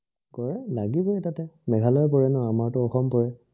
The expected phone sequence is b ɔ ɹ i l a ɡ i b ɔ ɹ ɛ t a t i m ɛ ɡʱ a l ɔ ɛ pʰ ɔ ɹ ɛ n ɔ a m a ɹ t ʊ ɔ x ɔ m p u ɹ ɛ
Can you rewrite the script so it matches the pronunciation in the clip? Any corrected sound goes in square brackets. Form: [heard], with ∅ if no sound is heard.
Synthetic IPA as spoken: [ɡ] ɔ ɹ [ɛ] l a ɡ i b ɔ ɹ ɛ t a t [ɛ] m ɛ ɡʱ a l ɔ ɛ [p] ɔ ɹ ɛ n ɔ a m a ɹ t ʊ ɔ x ɔ m p [ɔ] ɹ ɛ